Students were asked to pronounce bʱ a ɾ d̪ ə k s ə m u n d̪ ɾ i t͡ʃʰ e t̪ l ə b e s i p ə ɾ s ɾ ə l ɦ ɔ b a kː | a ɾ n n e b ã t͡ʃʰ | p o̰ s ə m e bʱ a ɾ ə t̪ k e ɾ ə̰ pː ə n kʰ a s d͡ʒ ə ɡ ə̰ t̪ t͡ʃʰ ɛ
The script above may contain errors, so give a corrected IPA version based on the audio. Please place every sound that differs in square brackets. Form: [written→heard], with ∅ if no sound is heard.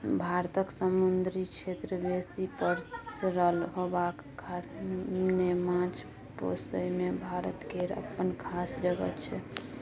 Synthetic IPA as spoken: bʱ a ɾ [d̪→t̪] ə k s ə m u n d̪ ɾ i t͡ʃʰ e t̪ [l→ɾ] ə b e s i p ə ɾ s ɾ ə l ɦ [ɔ→o] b a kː | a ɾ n n e [b→m] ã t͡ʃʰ | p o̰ s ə m e bʱ a ɾ ə t̪ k e ɾ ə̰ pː ə n kʰ a s d͡ʒ ə ɡ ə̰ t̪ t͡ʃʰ ɛ